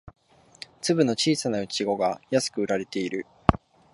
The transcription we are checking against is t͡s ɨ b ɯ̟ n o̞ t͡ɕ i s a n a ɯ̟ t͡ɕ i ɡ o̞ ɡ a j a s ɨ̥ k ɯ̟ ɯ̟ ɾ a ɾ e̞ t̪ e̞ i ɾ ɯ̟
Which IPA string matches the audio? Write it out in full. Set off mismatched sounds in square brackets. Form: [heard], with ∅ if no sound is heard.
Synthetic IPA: t͡s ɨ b ɯ̟ n o̞ t͡ɕ [iː] s a n a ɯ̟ t͡ɕ i ɡ o̞ ɡ a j a s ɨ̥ k ɯ̟ ɯ̟ ɾ a ɾ e̞ t̪ e̞ i ɾ ɯ̟